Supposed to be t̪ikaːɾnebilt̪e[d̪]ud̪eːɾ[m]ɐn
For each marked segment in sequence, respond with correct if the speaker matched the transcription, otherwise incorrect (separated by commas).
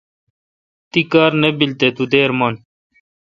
incorrect, correct